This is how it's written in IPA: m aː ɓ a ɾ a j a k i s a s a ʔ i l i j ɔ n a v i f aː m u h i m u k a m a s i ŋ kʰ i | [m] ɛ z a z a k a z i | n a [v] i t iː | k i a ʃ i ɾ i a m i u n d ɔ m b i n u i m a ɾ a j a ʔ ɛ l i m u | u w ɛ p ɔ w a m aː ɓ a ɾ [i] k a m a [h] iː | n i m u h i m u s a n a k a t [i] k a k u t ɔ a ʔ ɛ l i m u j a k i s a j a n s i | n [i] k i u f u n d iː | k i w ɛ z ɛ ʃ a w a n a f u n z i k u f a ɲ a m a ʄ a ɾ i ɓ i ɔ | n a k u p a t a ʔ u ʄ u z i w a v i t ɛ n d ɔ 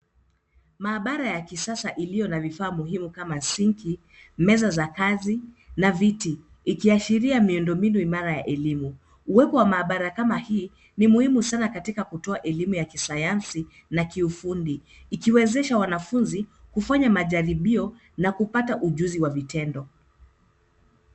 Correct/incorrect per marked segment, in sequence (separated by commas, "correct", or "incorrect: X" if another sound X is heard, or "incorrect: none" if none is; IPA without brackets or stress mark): correct, correct, incorrect: a, correct, correct, incorrect: a